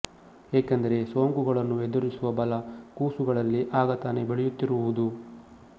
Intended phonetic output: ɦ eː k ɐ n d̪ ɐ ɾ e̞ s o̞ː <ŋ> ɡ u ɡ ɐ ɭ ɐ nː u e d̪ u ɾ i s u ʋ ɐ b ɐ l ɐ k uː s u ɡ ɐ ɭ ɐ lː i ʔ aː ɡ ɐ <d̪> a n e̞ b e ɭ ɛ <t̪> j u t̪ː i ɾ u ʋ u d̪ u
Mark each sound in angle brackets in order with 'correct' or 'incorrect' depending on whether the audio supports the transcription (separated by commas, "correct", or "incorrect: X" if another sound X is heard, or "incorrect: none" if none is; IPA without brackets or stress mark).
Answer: correct, incorrect: t̪, incorrect: none